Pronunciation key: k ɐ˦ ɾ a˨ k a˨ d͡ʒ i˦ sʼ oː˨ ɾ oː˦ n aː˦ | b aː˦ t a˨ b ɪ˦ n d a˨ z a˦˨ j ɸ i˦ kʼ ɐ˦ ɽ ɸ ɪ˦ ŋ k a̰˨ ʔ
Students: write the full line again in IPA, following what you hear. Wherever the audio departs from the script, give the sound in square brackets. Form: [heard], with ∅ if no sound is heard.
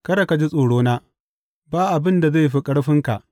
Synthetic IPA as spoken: k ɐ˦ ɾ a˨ k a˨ d͡ʒ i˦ sʼ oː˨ [ɽ] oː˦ n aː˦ | b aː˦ [ʔ] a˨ b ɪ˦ n d a˨ z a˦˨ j ɸ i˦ kʼ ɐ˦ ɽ ɸ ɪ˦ ŋ k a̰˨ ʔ